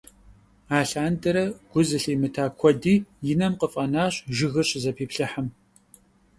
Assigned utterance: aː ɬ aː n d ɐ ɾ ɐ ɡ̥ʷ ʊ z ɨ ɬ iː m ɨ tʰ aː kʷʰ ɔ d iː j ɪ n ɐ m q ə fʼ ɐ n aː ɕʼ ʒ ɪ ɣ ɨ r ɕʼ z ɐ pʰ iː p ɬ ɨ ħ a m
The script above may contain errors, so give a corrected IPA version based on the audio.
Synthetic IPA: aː ɬ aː n d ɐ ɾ ɐ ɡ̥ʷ ʊ z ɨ ɬ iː m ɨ tʰ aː kʷʰ ɔ d iː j ɪ n ɐ m q ə fʼ ɐ n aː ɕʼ ʒ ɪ ɣ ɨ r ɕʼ z ɐ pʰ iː p ɬ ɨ ħ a m

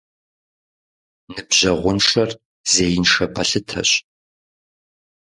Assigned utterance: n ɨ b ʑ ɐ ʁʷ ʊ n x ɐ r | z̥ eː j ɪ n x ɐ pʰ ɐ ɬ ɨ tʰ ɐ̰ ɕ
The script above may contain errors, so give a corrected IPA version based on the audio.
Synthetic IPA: n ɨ b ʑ ɐ ʁʷ ʊ n ʂ ɐ r | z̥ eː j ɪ n ʂ ɐ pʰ ɐ ɬ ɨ tʰ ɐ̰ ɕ

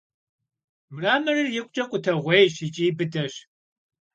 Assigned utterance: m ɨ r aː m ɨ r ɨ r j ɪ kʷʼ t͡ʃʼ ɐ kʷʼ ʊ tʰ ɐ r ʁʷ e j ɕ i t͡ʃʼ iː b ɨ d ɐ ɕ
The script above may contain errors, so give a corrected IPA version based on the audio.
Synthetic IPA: m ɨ r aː m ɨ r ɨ r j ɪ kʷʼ t͡ʃʼ ɐ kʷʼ ʊ tʰ ɐ ʁʷ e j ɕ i t͡ʃʼ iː b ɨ d ɐ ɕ

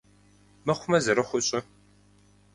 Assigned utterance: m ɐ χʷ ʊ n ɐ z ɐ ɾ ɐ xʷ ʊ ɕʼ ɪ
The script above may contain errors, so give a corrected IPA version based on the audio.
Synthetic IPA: m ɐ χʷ ʊ m ɐ z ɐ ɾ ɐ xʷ ʊ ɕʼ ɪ

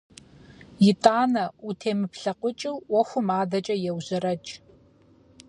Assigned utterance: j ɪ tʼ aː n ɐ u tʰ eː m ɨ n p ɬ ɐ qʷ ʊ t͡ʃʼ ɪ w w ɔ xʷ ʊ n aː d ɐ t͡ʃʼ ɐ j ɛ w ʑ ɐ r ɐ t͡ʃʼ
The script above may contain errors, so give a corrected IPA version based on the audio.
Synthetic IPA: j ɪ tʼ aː n ɐ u tʰ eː m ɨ p ɬ ɐ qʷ ʊ t͡ʃʼ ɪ w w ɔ xʷ ʊ m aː d ɐ t͡ʃʼ ɐ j ɛ w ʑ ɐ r ɐ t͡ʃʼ

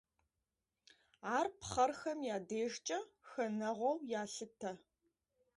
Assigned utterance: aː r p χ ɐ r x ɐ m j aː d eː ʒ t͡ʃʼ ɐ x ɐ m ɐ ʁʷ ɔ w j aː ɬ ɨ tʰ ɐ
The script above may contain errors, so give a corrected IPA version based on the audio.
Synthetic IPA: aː r p χ ɐ r x ɐ m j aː d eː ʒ t͡ʃʼ ɐ x ɐ n ɐ ʁʷ ɔ w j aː ɬ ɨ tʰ ɐ

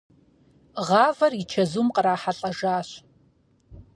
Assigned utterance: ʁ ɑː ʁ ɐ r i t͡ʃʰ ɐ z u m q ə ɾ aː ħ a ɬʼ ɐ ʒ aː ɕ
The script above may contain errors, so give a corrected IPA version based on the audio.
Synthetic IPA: ʁ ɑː v ɐ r i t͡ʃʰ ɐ z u m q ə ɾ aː ħ a ɬʼ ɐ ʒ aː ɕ

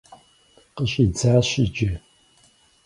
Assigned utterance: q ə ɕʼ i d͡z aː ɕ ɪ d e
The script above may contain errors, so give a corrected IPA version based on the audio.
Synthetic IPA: q ə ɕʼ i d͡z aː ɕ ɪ d͡ʒ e

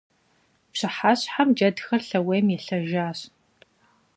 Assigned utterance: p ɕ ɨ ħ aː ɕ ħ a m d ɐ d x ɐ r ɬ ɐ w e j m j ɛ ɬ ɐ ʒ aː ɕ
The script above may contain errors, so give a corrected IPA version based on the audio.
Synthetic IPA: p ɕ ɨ ħ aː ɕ ħ a m d͡ʒ ɐ d x ɐ r ɬ ɐ w e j m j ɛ ɬ ɐ ʒ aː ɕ

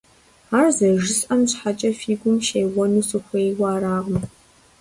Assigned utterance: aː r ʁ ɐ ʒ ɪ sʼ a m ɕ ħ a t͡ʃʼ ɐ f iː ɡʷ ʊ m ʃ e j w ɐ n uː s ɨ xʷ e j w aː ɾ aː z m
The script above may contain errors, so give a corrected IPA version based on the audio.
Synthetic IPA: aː r z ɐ ʒ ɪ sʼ ɐ m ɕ ħ a t͡ʃʼ ɐ f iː ɡʷ ʊ m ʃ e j w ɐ n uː s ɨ xʷ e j w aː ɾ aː ʁ m

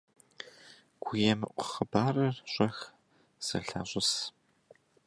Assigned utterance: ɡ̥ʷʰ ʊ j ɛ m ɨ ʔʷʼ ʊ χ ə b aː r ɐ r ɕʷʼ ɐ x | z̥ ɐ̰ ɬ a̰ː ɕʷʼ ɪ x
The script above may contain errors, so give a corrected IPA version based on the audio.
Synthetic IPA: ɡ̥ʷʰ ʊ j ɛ m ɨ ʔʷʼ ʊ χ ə b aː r ɐ r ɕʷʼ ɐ x | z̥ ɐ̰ ɬ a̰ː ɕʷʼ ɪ s

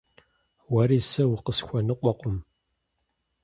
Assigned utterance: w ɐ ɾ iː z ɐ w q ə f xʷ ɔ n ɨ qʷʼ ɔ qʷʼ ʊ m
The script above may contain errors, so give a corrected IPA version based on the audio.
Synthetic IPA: w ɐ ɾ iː s ɐ w q ə s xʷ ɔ n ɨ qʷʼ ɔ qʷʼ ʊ m

